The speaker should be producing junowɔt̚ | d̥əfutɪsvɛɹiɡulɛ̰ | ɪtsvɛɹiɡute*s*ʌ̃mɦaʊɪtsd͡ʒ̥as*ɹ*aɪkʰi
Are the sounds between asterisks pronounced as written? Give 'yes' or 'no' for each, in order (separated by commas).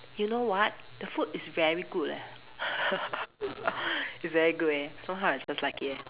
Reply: yes, no